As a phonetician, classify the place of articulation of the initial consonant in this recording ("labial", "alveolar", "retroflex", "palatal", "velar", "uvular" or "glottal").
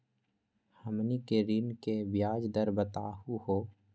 glottal